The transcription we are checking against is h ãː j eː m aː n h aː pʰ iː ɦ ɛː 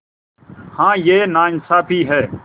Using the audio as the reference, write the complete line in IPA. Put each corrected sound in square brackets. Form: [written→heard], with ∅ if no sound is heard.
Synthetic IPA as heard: h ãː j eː [m→n] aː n [h→s] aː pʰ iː ɦ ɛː